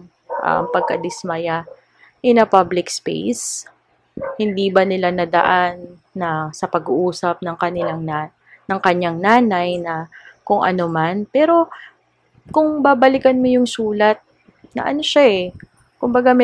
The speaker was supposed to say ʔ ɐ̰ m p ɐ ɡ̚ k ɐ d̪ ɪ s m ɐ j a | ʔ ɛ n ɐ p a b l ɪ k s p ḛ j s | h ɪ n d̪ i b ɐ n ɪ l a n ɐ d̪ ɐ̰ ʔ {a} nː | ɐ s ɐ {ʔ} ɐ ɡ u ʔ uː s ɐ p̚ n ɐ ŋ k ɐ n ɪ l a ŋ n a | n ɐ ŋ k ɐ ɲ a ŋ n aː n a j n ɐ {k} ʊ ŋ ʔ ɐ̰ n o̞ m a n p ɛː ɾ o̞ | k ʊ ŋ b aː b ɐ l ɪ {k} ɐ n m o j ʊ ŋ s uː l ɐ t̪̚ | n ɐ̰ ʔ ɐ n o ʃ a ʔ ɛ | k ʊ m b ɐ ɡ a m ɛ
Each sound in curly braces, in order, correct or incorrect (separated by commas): correct, incorrect, correct, correct